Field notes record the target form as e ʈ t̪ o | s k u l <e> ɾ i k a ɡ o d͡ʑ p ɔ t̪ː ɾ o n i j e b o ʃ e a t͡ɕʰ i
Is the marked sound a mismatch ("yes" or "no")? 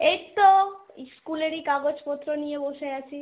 no